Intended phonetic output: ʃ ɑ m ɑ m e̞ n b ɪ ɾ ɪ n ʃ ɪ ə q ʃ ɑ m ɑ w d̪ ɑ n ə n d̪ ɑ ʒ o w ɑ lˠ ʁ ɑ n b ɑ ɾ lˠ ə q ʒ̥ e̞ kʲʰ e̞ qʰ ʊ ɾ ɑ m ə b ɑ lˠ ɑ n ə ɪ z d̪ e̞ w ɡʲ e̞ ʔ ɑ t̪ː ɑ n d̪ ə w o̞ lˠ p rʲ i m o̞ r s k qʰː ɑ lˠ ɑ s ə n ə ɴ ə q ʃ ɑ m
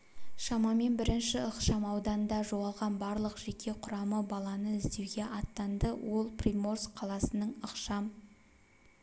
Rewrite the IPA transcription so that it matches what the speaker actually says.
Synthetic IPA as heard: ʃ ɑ m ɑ m e̞ n b ɪ ɾ ɪ n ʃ ɪ ə q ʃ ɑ m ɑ w d̪ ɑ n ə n d̪ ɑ ʒ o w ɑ lˠ ʁ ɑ n b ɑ ɾ lˠ ə q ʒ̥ e̞ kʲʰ e̞ qʰ ʊ ɾ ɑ m ə b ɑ lˠ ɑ n ə ɪ z d̪ e̞ w ɡʲ e̞ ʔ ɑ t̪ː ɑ n d̪ ə w o̞ lˠ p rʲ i m o̞ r s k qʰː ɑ lˠ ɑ s ə n ə ɴ ə q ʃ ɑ m